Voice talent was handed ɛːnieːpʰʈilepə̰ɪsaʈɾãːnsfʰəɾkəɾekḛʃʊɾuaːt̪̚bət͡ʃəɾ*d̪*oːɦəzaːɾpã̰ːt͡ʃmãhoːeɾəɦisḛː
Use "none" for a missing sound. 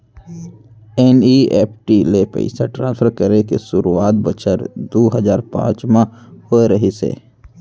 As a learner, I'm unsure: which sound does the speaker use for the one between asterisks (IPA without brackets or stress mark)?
d̪